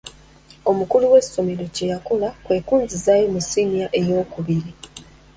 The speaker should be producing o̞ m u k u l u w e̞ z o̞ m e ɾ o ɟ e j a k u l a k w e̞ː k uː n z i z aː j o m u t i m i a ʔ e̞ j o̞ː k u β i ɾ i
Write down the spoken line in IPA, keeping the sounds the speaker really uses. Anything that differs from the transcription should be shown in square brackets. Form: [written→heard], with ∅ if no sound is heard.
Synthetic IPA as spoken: o̞ m u k u l u w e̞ [z→s] o̞ m e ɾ o [ɟ→c] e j a k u l a k w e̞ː k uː n z i z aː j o m u [t→s] i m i a ʔ e̞ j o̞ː k u β i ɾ i